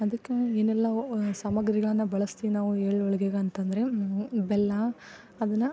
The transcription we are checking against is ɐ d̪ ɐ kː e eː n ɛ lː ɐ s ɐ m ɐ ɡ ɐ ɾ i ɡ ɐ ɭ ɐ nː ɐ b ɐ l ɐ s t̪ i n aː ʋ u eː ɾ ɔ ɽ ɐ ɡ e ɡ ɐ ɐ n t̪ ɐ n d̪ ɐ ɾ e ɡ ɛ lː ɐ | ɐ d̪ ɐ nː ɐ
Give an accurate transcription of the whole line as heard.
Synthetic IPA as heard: ɐ d̪ ɐ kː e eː n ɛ lː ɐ s ɐ m ɐ ɡ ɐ ɾ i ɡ ɐ ɭ ɐ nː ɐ b ɐ ɭ ɐ s t̪ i n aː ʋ u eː ɭ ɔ ɭ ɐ ɡ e ɡ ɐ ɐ n t̪ ɐ n d̪ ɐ ɾ e b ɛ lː ɐ | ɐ d̪ ɐ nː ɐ